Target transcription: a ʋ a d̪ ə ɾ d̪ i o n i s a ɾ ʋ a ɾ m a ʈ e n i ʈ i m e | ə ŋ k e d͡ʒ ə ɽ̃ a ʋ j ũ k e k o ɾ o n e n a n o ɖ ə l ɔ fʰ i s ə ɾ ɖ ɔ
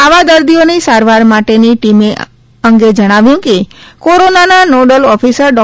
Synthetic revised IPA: a ʋ a d̪ ə ɾ d̪ i o n i s a ɾ ʋ a ɾ m a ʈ e n i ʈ i m e | ə ŋ ɡ e d͡ʒ ə ɽ̃ a ʋ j ũ k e k o ɾ o n a n a n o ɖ ə l ɔ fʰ i s ə ɾ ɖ ɔ